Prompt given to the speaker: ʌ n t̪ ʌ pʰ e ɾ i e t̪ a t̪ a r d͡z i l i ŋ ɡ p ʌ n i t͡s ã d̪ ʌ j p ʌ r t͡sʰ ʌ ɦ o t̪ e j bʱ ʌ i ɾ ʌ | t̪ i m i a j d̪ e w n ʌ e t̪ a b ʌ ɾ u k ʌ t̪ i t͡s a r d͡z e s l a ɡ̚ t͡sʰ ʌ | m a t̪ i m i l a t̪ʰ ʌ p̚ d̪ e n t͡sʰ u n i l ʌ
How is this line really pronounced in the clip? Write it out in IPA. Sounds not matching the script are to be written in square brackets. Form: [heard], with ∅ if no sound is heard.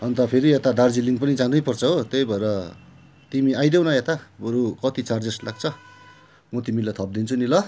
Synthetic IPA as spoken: ʌ n t̪ ʌ pʰ e ɾ i e t̪ a [d̪] a r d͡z i l i ŋ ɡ p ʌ n i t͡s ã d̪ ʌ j p ʌ r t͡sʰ ʌ ɦ o t̪ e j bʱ ʌ [e] ɾ ʌ | t̪ i m i a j d̪ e w n ʌ e t̪ a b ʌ ɾ u k ʌ t̪ i t͡s a r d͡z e s l a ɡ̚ t͡sʰ ʌ | m [ʌ] t̪ i m i l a t̪ʰ ʌ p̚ d̪ [i] n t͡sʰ u n i l ʌ